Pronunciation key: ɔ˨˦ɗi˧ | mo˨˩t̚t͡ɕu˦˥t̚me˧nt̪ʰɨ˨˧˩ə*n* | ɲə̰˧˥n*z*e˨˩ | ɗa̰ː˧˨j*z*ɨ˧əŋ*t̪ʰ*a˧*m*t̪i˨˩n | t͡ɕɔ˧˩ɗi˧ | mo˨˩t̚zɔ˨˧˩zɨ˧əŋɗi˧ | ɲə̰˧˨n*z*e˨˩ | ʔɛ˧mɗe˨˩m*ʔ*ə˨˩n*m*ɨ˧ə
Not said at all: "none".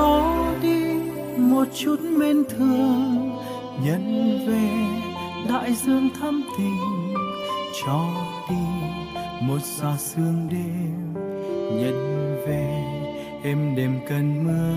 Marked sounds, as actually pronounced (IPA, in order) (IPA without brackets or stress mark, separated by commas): ŋ, v, z, t̪ʰ, m, v, k, m